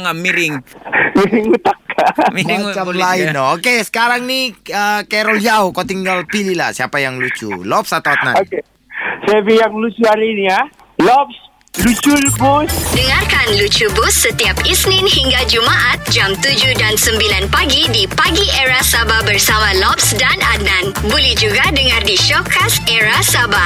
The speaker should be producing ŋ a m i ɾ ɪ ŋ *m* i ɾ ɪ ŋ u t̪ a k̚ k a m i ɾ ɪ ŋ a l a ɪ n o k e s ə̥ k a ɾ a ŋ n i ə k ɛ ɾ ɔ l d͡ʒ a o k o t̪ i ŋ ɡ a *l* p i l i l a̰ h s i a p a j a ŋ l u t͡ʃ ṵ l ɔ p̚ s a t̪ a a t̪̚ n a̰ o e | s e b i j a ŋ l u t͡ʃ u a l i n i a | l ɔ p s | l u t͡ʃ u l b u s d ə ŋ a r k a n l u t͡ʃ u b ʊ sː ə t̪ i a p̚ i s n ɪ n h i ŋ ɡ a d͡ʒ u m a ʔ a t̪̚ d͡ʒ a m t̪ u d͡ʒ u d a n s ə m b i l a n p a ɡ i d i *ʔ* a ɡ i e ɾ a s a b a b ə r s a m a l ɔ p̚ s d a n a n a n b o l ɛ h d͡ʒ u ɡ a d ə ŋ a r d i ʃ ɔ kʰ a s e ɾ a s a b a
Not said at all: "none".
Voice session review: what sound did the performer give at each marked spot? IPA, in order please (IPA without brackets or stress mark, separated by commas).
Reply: m, l, p